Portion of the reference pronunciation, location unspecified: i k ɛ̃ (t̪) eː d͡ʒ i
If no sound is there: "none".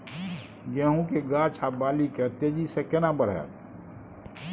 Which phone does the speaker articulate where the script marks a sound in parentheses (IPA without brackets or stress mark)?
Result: t̪